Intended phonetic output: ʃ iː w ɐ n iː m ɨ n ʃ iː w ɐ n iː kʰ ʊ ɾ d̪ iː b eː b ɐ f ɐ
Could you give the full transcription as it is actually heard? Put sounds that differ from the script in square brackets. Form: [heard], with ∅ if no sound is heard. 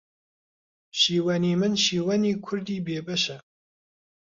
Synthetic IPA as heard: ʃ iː w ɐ n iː m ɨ n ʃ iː w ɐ n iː kʰ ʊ ɾ d̪ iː b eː b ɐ [ʃ] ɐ